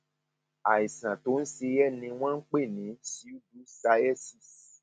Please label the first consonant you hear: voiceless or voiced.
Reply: voiceless